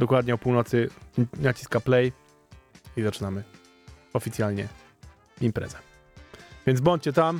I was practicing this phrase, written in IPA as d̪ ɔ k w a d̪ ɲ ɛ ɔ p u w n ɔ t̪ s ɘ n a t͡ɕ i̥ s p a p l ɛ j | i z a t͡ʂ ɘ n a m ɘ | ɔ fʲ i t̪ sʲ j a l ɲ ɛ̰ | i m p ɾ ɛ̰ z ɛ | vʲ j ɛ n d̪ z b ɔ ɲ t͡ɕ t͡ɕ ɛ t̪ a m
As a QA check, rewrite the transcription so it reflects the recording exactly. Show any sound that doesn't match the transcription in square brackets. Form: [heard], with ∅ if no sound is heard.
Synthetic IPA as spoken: d̪ ɔ k w a d̪ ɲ ɛ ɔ p u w n ɔ t̪ s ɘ n a t͡ɕ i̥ s [k] a p l ɛ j | i z a t͡ʂ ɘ n a m ɘ | ɔ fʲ i t̪ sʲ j a l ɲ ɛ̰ | i m p ɾ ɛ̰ z ɛ | vʲ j ɛ n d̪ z b ɔ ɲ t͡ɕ t͡ɕ ɛ t̪ a m